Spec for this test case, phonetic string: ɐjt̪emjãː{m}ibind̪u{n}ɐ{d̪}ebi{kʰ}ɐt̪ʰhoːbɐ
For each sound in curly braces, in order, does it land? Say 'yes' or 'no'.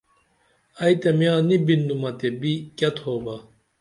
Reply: no, no, no, no

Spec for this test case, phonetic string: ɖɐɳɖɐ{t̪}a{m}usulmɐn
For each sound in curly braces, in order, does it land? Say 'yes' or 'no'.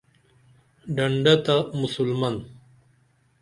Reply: yes, yes

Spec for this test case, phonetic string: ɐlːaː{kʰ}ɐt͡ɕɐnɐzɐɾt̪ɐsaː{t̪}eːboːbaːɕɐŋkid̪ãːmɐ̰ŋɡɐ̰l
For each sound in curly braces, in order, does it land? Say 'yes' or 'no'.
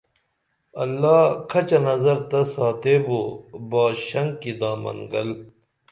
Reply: yes, yes

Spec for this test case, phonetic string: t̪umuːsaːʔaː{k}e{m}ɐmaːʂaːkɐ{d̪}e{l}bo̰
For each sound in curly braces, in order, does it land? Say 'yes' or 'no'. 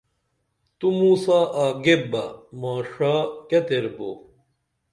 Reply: no, no, no, no

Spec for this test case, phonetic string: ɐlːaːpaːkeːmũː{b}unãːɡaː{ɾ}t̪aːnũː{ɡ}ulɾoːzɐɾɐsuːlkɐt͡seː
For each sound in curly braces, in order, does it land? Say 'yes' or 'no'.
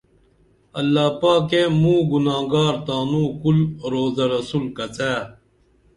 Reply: no, yes, no

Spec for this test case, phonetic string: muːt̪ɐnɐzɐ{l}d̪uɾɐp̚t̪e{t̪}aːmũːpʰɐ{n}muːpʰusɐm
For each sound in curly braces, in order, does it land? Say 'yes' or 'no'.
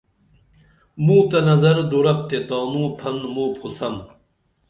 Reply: no, yes, yes

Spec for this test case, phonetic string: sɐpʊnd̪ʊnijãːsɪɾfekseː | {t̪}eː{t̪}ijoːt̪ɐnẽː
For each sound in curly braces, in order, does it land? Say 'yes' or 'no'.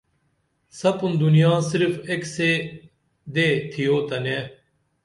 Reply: no, no

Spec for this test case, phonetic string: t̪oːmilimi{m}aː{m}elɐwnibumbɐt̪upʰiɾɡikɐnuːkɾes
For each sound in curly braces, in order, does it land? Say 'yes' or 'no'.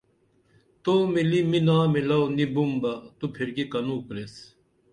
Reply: no, yes

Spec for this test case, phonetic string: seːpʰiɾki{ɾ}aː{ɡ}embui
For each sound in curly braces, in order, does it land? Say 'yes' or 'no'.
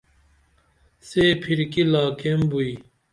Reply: no, no

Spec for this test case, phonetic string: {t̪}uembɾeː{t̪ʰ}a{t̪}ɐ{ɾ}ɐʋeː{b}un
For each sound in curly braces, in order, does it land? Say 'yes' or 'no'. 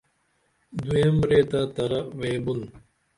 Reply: no, no, yes, yes, yes

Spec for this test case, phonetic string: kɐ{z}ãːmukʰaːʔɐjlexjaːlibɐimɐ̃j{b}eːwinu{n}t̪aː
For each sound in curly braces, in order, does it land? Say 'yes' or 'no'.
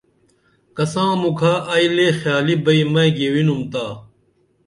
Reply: no, no, no

